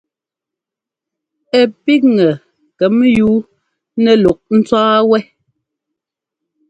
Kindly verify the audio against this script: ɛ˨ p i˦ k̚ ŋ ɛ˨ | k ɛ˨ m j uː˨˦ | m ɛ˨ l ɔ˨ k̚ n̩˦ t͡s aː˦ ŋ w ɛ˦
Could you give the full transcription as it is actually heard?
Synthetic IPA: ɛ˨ p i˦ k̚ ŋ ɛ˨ | k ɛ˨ m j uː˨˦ | n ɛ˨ l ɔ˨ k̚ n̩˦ t͡s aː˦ w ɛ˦